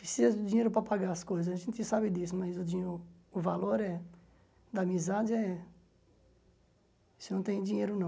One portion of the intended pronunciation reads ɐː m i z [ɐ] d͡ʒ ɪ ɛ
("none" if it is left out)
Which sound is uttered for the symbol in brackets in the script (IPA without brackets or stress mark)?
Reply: a